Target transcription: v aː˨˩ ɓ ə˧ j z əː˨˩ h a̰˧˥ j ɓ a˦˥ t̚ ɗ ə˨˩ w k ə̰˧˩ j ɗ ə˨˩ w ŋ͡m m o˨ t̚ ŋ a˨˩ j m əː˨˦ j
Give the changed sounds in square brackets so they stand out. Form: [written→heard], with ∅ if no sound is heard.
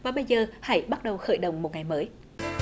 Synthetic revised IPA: v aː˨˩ ɓ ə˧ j z əː˨˩ h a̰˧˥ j ɓ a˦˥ t̚ ɗ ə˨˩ w [k→x] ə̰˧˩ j ɗ ə˨˩ w ŋ͡m m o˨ t̚ ŋ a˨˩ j m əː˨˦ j